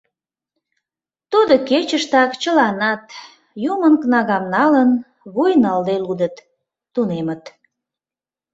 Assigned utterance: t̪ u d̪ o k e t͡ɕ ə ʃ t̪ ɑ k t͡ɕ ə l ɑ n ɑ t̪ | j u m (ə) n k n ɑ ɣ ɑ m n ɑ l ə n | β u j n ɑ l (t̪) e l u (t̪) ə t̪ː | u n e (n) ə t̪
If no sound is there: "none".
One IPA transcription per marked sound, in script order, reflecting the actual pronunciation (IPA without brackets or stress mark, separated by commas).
ə, d̪, d̪, m